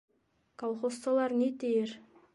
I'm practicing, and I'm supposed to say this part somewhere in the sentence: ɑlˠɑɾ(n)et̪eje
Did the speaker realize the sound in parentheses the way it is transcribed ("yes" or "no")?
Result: yes